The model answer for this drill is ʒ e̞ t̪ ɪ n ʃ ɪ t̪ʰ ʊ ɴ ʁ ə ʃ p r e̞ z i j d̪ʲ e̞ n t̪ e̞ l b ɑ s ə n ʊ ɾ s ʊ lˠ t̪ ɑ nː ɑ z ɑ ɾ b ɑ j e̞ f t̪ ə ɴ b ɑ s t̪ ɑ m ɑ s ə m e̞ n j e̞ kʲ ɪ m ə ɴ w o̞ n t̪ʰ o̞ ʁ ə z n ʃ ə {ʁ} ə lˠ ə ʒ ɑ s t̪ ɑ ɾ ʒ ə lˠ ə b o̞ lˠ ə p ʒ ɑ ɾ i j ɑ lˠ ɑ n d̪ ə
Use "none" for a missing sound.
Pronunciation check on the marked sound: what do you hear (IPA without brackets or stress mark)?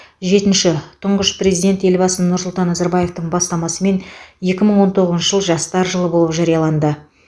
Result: ʒ